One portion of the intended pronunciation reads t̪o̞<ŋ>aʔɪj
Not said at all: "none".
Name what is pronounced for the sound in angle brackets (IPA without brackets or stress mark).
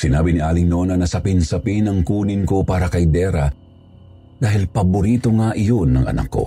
ŋ